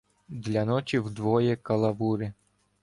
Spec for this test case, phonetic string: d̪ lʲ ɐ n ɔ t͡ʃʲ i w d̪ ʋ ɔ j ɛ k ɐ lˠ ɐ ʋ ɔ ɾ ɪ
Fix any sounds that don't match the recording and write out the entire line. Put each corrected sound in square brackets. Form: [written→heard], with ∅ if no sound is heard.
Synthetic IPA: d̪ lʲ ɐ n ɔ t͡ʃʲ i w d̪ ʋ ɔ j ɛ k ɐ lˠ ɐ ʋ [ɔ→u] ɾ ɪ